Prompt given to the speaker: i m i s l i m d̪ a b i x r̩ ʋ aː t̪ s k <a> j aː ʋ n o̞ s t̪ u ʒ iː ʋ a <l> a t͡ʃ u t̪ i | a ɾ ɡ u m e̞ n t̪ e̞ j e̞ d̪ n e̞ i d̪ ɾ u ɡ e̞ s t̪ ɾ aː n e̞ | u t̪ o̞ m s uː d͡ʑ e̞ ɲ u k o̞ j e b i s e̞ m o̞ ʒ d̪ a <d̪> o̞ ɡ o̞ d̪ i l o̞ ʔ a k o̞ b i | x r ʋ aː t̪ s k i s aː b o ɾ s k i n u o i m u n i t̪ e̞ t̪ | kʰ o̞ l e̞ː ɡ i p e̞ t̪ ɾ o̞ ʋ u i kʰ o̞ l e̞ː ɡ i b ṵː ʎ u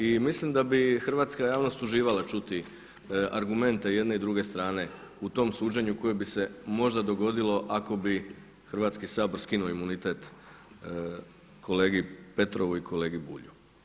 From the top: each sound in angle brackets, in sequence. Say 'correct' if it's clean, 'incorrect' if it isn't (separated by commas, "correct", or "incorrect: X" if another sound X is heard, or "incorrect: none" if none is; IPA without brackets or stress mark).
correct, correct, correct